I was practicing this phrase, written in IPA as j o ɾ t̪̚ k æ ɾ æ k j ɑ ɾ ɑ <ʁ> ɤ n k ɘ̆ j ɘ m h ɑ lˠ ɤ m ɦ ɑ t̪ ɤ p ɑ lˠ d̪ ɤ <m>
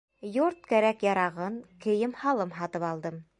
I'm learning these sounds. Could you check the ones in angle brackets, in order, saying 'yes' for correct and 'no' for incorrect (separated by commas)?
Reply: yes, yes